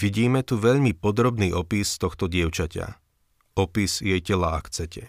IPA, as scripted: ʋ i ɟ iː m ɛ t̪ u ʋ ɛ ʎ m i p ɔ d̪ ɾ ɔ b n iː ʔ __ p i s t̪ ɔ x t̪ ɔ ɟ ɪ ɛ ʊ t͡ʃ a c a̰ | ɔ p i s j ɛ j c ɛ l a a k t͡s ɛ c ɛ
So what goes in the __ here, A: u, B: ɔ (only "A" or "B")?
B